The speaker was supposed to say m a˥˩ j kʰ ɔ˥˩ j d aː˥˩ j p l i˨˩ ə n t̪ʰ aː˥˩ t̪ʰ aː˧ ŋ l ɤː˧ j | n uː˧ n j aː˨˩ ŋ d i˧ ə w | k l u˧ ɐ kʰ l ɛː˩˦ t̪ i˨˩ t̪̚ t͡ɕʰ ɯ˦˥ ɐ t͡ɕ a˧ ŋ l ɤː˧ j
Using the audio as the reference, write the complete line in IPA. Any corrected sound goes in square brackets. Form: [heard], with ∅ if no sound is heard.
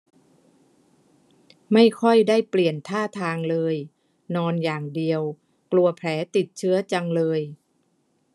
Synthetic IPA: m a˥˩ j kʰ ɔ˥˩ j d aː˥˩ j p l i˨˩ ə n t̪ʰ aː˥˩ t̪ʰ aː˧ ŋ l ɤː˧ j | n [ɔː˧] n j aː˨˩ ŋ d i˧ ə w | k l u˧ ɐ [pʰ] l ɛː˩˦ t̪ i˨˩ t̪̚ t͡ɕʰ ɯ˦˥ ɐ t͡ɕ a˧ ŋ l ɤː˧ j